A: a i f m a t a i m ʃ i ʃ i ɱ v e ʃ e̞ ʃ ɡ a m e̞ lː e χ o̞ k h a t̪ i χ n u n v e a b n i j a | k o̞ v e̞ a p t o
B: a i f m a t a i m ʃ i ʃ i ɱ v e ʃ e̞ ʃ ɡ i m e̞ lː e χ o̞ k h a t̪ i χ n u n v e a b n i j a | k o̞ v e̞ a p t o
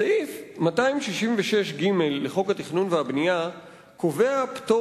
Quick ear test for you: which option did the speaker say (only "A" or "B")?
B